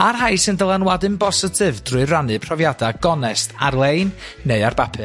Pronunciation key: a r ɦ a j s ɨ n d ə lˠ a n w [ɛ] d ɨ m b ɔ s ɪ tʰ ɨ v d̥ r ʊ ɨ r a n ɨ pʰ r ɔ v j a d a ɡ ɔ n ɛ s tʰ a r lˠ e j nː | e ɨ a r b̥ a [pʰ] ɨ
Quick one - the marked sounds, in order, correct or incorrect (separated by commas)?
incorrect, correct